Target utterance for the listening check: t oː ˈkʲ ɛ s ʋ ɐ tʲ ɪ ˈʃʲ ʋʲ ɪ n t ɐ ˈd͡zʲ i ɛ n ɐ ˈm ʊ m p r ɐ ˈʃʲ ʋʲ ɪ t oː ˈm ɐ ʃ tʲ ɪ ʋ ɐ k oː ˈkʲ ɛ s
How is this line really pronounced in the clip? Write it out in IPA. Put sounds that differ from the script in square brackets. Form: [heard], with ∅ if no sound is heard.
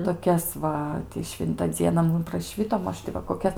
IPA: t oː ˈkʲ ɛ s ʋ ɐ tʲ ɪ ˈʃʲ ʋʲ ɪ n t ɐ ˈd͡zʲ i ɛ n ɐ ˈm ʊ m p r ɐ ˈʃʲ ʋʲ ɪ t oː ˈm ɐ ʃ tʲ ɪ ʋ ɐ k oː ˈkʲ ɛ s

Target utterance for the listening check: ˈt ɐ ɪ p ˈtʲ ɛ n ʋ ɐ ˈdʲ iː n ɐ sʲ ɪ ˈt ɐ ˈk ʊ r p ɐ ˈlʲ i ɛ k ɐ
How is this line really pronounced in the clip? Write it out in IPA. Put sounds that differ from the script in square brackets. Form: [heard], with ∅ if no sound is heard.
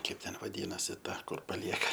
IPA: [ˈk] ɐ ɪ p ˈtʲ ɛ n ʋ ɐ ˈdʲ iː n ɐ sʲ ɪ ˈt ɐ ˈk ʊ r p ɐ ˈlʲ i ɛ k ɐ

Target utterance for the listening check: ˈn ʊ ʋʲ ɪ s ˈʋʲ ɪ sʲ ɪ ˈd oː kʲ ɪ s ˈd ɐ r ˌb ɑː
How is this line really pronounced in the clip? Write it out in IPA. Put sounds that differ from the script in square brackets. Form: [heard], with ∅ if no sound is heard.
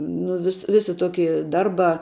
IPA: ˈn ʊ ʋʲ ɪ s ˈʋʲ ɪ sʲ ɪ [ˈt] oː kʲ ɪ [∅] ˈd ɐ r ˌb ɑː

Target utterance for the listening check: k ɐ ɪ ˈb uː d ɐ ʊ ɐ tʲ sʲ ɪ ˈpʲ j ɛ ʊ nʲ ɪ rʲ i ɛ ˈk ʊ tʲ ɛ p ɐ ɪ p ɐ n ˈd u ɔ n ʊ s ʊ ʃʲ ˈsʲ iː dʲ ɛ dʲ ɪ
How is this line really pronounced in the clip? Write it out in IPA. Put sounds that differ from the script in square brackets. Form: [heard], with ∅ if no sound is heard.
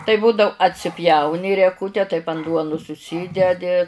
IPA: [t] ɐ ɪ ˈb uː d ɐ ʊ ɐ tʲ sʲ ɪ ˈpʲ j ɛ ʊ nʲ ɪ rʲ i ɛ ˈk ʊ tʲ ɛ [t] ɐ ɪ p ɐ n ˈd u ɔ n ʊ s ʊ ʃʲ ˈsʲ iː dʲ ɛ dʲ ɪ

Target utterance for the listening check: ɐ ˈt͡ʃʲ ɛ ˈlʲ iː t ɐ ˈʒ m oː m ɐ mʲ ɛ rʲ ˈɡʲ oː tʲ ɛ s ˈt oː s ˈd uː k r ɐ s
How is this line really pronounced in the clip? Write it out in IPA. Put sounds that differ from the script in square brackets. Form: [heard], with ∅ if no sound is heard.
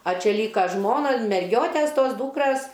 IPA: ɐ ˈt͡ʃʲ ɛ ˈlʲ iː [k] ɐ ˈʒ m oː [n] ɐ mʲ ɛ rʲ ˈɡʲ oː tʲ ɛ s ˈt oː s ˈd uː k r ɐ s

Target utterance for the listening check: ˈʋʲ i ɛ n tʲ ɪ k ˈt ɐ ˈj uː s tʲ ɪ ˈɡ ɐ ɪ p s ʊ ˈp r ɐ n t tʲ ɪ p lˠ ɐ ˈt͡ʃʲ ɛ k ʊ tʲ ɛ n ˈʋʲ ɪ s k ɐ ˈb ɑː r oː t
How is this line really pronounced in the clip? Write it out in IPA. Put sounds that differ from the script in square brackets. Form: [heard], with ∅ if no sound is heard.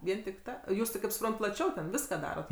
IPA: ˈʋʲ i ɛ n tʲ ɪ k ˈt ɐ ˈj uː s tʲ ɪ [ˈk] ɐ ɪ p s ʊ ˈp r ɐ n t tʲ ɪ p lˠ ɐ ˈt͡ʃʲ ɛ [∅] ʊ tʲ ɛ n ˈʋʲ ɪ s k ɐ [ˈd] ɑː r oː t

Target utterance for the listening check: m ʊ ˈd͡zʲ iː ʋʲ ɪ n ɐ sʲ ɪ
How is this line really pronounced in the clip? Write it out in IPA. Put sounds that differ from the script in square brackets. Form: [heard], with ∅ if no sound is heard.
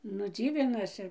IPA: [n] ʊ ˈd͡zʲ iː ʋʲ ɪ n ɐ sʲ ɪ

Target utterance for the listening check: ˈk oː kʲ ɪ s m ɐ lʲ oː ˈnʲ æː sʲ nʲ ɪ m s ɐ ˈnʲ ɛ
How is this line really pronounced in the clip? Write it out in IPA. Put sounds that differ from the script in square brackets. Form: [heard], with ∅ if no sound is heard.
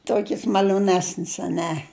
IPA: [ˈt] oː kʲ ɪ s m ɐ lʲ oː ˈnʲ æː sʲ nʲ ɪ [∅] s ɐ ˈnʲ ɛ

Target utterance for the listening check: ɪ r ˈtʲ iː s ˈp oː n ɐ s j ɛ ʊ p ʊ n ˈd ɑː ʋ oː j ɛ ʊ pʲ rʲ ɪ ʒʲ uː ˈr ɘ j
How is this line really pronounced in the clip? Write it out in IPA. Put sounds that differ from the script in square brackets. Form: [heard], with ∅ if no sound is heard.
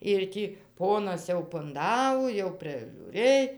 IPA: ɪ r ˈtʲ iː [∅] ˈp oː n ɐ s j ɛ ʊ p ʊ n ˈd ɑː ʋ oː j ɛ ʊ pʲ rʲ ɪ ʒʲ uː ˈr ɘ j

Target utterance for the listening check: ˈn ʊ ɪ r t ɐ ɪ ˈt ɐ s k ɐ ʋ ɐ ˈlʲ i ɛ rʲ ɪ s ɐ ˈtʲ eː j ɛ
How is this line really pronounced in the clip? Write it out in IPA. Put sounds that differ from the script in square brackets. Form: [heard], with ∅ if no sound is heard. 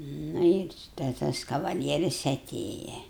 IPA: ˈn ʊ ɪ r t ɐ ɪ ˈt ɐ s k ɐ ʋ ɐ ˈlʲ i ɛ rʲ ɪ s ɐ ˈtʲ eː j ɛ

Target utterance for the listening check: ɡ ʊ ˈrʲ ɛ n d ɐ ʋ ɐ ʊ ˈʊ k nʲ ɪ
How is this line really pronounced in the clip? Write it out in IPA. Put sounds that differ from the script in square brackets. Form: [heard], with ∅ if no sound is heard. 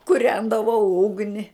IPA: [k] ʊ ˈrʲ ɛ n d ɐ ʋ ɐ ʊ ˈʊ [ɡ] nʲ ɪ

